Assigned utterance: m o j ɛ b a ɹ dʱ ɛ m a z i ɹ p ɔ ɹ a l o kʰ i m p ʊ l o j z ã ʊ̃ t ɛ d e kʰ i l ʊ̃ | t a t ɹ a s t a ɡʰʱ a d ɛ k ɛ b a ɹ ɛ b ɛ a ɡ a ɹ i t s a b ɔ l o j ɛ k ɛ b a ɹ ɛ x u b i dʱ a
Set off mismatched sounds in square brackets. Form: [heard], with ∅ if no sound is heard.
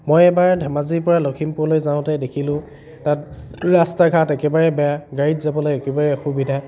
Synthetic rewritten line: m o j ɛ b a ɹ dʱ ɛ m a z i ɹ p ɔ ɹ a l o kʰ i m p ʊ l o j z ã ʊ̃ t ɛ d e kʰ i l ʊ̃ | t a t ɹ a s t a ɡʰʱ a [t] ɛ k ɛ b a ɹ ɛ b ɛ a ɡ a ɹ i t [z] a b ɔ l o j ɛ k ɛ b a ɹ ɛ x u b i dʱ a